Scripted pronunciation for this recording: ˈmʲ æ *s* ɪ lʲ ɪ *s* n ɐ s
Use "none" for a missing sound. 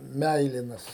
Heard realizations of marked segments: none, none

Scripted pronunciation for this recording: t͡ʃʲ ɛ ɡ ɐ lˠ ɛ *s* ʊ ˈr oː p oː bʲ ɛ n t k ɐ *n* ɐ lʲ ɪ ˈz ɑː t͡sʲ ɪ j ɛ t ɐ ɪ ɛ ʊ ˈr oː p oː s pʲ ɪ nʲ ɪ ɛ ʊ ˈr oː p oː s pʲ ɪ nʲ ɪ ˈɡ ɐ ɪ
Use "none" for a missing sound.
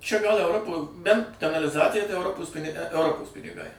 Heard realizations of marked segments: none, n

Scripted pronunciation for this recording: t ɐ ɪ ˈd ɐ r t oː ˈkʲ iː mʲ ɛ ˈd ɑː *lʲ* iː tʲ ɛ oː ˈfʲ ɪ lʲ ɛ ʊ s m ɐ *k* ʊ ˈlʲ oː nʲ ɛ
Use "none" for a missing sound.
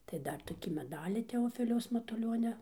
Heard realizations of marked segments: lʲ, t

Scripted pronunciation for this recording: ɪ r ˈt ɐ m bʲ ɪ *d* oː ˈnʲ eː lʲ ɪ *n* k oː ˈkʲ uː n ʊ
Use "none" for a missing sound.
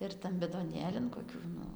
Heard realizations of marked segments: d, n

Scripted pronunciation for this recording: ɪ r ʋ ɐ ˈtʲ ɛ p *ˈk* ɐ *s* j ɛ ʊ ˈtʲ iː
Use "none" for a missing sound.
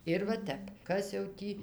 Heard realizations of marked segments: k, s

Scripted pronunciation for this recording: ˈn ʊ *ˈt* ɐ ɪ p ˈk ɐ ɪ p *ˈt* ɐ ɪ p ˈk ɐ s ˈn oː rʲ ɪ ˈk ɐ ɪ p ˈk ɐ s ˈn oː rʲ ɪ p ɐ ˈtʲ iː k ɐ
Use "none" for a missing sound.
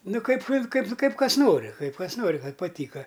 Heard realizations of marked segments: k, k

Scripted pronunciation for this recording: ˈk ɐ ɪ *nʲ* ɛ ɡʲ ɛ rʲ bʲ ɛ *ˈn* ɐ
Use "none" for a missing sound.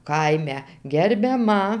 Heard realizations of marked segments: mʲ, m

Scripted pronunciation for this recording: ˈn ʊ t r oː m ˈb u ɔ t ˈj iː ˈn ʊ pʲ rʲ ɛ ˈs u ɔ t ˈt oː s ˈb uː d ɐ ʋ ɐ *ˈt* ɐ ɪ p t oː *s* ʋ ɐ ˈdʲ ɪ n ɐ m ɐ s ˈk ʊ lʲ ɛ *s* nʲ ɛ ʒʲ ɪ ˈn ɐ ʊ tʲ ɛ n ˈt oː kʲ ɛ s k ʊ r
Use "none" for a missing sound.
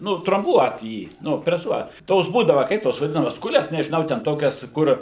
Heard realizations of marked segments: k, s, s

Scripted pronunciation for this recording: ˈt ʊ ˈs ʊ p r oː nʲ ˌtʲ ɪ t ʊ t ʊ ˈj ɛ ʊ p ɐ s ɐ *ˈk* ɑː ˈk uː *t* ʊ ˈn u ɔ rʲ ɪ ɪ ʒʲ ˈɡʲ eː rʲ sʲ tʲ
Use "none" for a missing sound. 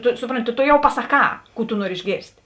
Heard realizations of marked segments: k, t

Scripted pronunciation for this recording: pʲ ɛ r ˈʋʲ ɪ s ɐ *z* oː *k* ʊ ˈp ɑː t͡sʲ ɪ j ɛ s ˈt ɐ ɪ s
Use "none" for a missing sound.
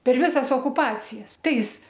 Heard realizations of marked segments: s, k

